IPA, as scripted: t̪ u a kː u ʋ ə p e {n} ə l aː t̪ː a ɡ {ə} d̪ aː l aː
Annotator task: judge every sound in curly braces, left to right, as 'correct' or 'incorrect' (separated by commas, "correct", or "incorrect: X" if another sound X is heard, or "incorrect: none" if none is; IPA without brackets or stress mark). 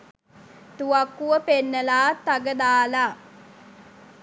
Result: incorrect: nː, correct